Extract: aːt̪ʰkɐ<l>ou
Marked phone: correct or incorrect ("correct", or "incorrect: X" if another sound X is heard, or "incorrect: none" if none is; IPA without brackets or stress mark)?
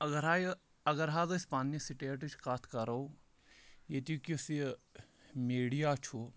incorrect: ɾ